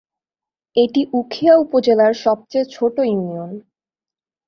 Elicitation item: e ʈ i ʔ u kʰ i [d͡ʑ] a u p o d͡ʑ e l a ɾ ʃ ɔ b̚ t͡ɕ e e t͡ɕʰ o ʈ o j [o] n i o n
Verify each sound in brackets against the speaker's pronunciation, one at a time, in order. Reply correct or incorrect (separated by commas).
incorrect, incorrect